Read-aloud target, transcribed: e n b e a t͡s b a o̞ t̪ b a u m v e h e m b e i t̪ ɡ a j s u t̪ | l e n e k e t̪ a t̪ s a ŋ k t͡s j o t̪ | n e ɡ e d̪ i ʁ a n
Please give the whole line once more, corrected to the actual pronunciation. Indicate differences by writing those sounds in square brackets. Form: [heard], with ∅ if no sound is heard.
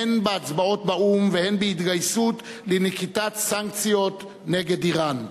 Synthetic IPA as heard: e n b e a t͡s b a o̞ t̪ b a u m v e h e [n] b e i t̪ ɡ a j s u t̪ | l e n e k [i] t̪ a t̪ s a ŋ k t͡s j o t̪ | n e ɡ e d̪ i ʁ a n